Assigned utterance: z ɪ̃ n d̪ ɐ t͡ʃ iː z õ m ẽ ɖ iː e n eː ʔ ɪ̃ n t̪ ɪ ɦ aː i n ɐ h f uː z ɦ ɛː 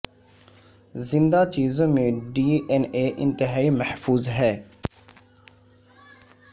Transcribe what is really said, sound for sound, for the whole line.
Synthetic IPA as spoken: z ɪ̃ n d̪ a t͡ʃ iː z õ m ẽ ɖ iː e n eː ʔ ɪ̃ n t̪ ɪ ɦ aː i m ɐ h f uː z ɦ ɛː